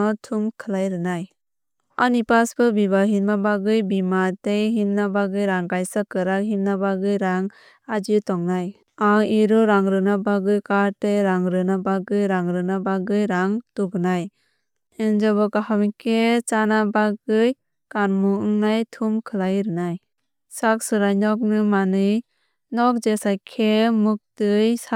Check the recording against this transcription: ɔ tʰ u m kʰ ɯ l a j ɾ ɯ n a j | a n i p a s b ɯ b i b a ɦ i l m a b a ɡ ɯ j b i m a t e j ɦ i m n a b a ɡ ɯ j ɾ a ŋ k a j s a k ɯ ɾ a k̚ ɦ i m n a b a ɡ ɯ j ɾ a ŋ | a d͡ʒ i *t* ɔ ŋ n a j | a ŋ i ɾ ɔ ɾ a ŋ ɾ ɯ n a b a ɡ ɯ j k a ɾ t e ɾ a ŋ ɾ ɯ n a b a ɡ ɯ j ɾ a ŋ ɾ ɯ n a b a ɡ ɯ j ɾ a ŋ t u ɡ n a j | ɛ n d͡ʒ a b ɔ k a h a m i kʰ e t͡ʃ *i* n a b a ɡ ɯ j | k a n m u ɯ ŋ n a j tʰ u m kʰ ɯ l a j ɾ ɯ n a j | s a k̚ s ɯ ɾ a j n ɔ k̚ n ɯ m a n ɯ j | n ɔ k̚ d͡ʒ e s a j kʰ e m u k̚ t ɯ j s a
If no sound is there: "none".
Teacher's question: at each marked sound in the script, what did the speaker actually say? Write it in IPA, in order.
t, a

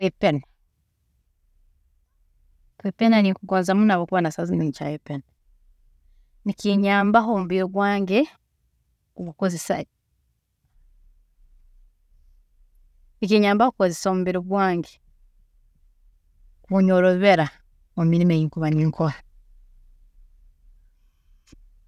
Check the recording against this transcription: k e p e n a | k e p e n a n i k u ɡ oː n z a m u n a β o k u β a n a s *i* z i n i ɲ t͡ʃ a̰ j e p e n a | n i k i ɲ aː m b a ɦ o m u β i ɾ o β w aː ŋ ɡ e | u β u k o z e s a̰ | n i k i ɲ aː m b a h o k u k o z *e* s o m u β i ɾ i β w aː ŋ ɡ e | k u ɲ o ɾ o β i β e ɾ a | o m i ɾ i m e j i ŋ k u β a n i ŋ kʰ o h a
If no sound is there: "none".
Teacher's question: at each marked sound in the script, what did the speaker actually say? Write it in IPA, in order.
a, e

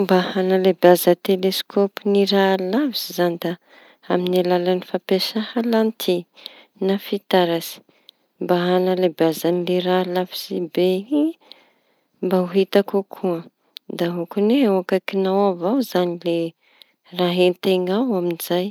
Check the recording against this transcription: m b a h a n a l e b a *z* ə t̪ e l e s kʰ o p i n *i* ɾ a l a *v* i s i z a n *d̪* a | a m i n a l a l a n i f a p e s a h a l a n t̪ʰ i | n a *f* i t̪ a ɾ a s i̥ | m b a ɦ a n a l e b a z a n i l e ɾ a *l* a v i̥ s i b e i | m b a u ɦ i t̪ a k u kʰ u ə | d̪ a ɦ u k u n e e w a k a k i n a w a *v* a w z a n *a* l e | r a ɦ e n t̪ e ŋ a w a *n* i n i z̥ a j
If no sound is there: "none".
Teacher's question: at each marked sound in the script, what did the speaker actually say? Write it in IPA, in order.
z, i, v, d̪, f, l, v, i, m

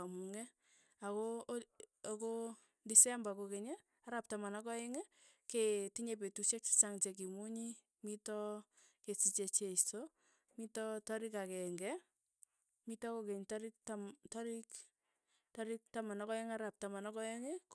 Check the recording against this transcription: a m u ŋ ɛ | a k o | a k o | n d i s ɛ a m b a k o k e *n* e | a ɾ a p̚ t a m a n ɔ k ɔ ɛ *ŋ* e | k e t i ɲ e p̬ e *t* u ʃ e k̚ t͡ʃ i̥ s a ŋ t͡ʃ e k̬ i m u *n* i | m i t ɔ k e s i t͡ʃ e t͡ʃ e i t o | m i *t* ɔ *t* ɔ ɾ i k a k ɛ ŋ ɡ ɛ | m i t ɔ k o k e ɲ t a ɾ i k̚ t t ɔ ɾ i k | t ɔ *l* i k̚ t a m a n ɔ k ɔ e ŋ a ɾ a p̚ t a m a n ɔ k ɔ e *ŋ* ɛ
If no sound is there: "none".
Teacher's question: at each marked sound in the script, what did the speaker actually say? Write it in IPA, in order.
ɲ, ŋ, t, ɲ, t, t, ɾ, ŋ

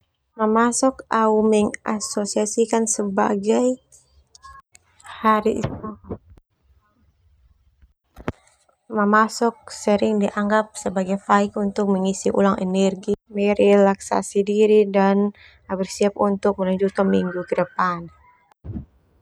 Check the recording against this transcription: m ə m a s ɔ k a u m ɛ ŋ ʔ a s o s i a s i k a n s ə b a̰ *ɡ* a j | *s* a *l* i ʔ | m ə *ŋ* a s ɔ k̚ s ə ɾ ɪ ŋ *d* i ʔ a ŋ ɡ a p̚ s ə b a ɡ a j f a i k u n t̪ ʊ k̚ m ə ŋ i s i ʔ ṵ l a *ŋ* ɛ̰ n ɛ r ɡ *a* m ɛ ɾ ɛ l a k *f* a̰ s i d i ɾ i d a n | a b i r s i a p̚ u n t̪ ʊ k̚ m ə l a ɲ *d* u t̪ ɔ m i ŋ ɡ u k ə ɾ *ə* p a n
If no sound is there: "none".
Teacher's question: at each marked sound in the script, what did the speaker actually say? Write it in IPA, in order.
ɡ, h, ɾ, m, d, ŋ, i, s, d͡ʒ, ə

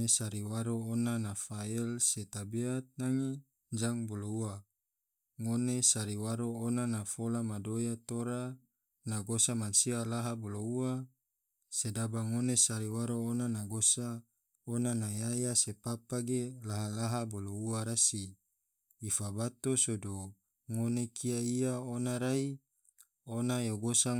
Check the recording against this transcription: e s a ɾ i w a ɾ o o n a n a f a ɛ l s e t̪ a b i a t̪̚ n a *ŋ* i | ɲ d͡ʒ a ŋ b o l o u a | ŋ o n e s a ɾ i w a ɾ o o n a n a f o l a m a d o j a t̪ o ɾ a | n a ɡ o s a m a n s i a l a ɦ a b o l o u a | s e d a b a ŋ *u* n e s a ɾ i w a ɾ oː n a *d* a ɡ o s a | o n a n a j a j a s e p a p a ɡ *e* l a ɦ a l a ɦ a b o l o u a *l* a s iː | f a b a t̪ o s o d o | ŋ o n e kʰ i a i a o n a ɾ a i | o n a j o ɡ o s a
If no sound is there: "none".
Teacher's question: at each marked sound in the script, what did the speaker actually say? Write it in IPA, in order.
ŋ, o, n, e, ɾ

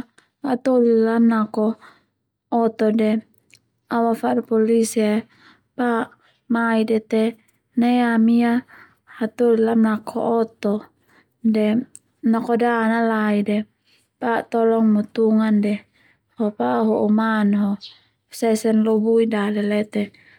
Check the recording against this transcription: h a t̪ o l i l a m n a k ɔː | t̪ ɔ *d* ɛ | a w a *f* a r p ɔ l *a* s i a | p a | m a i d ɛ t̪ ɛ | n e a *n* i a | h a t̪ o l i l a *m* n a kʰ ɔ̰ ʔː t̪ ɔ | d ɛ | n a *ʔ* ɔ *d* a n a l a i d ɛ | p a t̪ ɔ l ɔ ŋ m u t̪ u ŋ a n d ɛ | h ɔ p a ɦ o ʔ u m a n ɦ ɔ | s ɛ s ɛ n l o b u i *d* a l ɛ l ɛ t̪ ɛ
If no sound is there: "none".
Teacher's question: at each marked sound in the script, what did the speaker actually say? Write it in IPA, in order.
d, f, i, m, m, k, d, d

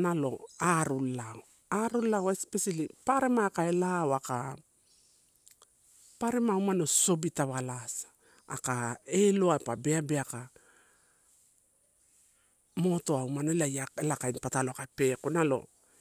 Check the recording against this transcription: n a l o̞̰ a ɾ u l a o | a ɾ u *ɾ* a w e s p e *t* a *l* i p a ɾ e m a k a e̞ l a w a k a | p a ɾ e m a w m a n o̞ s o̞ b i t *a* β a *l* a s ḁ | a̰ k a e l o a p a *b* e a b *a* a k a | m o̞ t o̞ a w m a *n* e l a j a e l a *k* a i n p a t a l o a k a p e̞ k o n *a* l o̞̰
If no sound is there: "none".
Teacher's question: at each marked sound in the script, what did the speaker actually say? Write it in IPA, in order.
l, s, l, a, l, b, e, n, k, a

